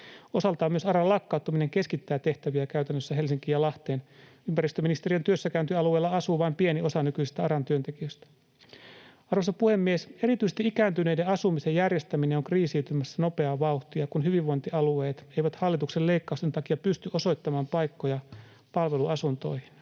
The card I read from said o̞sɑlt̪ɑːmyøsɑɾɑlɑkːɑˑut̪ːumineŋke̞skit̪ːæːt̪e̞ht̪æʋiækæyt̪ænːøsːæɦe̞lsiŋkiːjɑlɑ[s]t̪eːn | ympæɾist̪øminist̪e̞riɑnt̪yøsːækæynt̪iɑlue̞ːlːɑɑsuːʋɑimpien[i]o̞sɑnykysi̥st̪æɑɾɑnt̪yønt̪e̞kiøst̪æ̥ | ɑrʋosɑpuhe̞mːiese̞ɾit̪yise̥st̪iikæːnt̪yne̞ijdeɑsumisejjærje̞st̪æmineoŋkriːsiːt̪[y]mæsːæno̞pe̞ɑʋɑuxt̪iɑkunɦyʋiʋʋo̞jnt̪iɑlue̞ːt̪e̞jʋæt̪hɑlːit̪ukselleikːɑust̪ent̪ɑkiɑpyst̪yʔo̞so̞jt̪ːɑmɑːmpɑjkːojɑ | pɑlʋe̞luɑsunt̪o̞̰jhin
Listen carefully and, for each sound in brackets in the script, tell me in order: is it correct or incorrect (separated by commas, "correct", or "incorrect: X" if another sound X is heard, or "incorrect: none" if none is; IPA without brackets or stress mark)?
incorrect: h, correct, correct